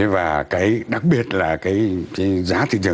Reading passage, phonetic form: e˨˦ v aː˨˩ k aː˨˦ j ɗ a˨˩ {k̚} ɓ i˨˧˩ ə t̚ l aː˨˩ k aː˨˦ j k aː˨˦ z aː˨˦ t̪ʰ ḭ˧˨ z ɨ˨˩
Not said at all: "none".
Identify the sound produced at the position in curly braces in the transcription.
k̚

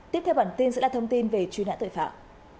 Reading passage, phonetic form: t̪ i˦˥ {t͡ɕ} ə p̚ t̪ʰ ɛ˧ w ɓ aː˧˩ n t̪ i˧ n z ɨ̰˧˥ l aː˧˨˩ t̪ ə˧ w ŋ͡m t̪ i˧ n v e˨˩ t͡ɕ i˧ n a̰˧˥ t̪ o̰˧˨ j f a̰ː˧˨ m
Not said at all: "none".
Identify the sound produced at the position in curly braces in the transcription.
none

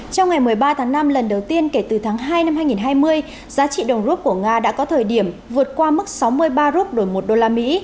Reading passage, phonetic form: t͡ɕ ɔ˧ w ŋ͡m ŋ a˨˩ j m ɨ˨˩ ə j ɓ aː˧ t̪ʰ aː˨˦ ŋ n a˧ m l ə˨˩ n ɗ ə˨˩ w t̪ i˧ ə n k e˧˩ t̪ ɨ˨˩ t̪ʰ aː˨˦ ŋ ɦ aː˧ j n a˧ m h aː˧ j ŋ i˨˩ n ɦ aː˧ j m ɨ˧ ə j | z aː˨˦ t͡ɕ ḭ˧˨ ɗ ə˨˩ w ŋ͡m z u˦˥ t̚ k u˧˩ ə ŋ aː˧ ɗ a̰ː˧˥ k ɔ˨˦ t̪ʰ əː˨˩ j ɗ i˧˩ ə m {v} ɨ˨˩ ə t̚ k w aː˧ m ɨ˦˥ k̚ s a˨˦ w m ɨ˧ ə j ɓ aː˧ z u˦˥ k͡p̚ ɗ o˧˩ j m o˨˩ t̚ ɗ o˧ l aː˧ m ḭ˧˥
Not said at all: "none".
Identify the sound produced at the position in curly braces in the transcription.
v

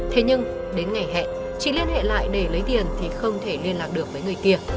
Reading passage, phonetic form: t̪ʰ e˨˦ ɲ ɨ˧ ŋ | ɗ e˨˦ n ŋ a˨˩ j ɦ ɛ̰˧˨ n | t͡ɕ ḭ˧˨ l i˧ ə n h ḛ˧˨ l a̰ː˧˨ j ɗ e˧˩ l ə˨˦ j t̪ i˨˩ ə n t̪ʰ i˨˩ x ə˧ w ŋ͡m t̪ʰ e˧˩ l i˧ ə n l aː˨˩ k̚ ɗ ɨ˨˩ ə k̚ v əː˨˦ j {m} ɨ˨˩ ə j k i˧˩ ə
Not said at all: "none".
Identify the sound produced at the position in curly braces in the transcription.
ŋ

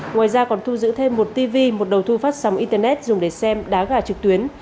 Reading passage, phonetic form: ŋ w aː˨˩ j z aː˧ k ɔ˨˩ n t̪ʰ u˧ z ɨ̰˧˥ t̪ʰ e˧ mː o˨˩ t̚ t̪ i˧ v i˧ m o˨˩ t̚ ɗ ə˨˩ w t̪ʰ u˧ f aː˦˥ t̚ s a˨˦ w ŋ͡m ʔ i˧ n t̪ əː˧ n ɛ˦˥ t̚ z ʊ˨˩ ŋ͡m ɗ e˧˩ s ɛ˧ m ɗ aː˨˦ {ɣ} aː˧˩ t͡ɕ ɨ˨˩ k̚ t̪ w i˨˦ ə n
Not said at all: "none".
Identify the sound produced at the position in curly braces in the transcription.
ɣ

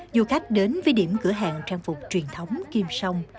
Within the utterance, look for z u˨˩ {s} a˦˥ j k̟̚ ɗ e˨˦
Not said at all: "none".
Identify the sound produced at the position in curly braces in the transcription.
x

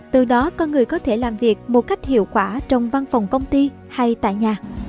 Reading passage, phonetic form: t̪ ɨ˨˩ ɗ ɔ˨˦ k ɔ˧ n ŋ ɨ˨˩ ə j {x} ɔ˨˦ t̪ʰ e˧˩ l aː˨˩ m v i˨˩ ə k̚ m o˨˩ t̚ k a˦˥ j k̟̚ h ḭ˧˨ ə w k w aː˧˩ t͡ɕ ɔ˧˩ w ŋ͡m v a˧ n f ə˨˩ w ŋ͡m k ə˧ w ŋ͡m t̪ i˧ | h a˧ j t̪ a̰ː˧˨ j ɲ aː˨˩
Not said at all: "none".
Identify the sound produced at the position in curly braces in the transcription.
k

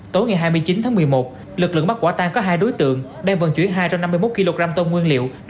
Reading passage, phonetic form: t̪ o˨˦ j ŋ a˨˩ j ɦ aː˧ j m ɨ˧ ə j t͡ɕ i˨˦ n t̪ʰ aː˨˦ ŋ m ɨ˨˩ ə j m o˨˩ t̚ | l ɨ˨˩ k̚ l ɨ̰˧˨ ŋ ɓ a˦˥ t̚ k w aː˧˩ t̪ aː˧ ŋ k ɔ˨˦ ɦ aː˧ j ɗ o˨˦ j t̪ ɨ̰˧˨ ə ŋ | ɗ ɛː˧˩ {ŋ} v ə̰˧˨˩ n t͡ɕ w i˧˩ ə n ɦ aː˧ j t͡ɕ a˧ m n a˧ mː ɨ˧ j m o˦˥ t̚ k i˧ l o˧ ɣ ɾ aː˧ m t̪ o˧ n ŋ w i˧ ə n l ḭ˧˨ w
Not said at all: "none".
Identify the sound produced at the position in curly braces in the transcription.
ŋ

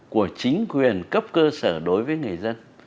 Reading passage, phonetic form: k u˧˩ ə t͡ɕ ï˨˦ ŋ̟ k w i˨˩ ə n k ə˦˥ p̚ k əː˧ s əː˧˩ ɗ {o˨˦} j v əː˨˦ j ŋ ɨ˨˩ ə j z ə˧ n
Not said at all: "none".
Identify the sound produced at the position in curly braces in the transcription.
o˨˦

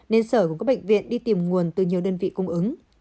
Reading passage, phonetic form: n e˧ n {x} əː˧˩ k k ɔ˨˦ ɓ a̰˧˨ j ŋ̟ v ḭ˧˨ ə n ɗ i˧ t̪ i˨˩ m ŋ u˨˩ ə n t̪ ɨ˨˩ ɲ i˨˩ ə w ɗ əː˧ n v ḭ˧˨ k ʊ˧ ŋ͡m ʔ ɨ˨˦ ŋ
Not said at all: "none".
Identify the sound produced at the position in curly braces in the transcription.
s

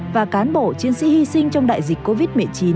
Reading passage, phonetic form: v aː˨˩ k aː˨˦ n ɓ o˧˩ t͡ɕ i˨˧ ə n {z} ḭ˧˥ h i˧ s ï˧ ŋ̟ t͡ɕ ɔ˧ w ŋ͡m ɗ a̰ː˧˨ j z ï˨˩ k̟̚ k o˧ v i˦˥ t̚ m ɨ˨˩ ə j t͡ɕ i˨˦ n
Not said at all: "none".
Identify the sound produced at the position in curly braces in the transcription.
s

